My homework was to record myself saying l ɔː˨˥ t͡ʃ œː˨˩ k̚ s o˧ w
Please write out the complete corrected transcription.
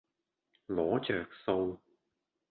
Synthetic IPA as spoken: l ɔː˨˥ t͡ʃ œː˨˩ k̚ s o˧ w